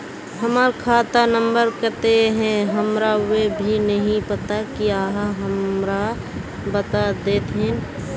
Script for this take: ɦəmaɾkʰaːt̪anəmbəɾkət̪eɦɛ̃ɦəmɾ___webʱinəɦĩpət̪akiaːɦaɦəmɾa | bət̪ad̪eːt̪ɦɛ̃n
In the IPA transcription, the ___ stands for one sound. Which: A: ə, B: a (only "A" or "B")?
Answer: B